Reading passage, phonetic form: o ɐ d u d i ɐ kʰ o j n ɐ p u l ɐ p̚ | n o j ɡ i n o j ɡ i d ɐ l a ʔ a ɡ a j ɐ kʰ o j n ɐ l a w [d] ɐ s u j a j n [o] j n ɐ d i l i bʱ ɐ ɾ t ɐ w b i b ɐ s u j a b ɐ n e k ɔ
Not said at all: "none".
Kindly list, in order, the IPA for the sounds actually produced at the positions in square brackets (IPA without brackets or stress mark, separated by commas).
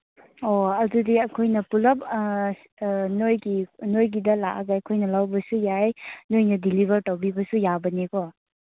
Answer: b, o